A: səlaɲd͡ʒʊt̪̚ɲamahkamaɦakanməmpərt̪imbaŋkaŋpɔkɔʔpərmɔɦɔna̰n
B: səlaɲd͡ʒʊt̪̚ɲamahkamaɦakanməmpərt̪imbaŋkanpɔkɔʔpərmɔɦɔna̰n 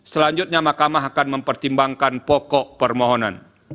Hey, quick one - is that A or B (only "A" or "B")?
B